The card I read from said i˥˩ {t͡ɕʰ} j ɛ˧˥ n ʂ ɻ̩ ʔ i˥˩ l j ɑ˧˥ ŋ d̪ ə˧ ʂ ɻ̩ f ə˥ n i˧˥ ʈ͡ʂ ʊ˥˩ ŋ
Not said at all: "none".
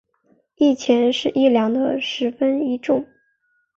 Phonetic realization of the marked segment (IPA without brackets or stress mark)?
t͡ɕʰ